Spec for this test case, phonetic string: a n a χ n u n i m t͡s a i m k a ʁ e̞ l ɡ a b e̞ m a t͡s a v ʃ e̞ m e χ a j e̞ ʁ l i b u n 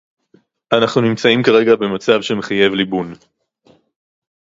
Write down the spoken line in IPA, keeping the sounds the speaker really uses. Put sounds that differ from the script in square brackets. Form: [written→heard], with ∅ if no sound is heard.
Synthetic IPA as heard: a n a χ n u n i m t͡s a i m k a ʁ e̞ [l→∅] ɡ a b e̞ m a t͡s a v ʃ e̞ m e χ a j e̞ [ʁ→v] l i b u n